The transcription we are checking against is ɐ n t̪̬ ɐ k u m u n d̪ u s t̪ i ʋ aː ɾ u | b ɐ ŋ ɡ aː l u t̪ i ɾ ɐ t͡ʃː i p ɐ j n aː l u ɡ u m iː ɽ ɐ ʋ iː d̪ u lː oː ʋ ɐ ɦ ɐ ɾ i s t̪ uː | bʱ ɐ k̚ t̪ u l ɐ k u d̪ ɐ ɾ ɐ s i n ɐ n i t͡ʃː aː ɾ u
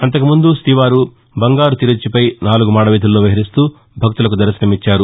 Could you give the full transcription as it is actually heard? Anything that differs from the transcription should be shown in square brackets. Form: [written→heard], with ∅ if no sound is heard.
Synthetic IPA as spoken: ɐ n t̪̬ ɐ k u m u n d̪ u s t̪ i ʋ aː ɾ u | b ɐ ŋ ɡ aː [l→ɾ] u t̪ i ɾ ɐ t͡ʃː i p ɐ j n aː l u ɡ u m [iː→aː] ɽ ɐ ʋ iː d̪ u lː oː ʋ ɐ ɦ ɐ ɾ i s t̪ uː | bʱ ɐ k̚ t̪ u l ɐ k u d̪ ɐ ɾ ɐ s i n ɐ [n→m] i t͡ʃː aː ɾ u